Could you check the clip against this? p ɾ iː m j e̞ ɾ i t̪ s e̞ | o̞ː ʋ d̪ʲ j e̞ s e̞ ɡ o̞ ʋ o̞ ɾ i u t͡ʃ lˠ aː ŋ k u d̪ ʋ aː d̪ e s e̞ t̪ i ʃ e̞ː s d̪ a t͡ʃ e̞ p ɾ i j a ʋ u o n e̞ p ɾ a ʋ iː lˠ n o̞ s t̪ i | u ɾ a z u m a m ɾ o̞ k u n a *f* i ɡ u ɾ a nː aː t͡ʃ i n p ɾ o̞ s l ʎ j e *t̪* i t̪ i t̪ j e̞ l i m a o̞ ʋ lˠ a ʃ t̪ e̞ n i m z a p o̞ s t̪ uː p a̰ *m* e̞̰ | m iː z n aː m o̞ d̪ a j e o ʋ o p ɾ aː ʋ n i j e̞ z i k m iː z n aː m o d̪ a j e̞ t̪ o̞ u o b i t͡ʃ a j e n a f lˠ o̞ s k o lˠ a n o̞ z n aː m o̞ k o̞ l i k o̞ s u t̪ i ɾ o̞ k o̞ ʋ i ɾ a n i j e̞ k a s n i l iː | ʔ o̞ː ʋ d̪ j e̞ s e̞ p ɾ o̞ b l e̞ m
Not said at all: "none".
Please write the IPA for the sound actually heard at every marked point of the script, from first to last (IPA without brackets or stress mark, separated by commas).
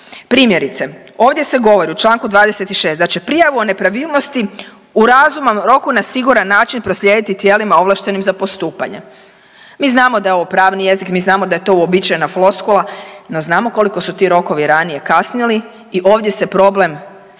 s, d̪, ɲ